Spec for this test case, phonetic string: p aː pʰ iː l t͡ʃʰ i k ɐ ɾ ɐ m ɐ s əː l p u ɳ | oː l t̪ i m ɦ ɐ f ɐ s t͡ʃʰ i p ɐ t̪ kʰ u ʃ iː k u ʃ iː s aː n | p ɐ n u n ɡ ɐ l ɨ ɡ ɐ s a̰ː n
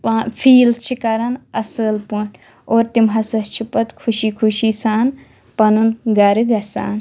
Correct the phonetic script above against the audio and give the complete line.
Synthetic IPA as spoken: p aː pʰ iː l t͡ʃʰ i k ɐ ɾ ɐ n ɐ s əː l p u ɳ | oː ɾ t̪ i m ɦ ɐ s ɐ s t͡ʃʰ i p ɐ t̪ kʰ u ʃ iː kʰ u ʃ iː s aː n | p ɐ n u n ɡ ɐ ɾ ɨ ɡ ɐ s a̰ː n